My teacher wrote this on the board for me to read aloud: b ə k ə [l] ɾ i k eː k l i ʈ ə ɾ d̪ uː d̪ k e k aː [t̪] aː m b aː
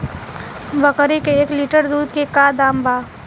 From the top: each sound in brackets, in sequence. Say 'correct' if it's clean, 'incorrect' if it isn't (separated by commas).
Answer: incorrect, incorrect